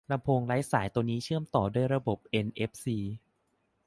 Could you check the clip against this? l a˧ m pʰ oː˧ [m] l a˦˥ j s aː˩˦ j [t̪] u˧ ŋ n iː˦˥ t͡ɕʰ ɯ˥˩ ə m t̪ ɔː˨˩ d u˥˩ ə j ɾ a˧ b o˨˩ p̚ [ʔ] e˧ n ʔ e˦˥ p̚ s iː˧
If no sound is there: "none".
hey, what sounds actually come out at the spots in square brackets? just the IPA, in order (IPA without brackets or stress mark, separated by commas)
ŋ, t̪, ʔ